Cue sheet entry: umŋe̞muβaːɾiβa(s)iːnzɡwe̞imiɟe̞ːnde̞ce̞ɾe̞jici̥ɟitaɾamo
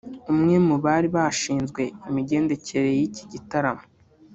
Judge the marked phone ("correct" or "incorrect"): incorrect